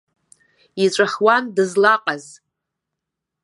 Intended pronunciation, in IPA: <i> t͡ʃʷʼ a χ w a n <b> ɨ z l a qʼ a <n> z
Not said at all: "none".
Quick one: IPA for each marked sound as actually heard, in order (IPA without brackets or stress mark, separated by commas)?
i, d, none